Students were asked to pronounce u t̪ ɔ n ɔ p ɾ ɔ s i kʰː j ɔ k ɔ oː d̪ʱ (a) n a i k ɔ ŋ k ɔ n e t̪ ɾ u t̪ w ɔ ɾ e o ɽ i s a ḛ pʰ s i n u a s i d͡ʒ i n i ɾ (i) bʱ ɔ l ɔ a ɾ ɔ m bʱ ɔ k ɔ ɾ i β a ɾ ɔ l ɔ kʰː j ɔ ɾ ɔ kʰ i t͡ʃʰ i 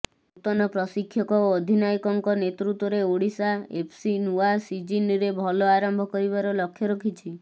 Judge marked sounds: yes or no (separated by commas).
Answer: no, no